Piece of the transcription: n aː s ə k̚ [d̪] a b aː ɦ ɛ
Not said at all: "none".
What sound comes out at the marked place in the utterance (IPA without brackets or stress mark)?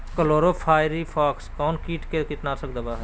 d̪